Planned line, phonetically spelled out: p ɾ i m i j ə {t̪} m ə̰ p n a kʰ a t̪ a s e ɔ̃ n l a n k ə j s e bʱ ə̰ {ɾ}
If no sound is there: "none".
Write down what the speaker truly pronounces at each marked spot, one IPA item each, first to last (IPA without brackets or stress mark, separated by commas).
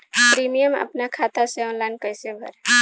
none, ɾ